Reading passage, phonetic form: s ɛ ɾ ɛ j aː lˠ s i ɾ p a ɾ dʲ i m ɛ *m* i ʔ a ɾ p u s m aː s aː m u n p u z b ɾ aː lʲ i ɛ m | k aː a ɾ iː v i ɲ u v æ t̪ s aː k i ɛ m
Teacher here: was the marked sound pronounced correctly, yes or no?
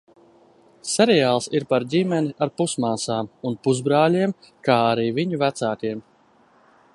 no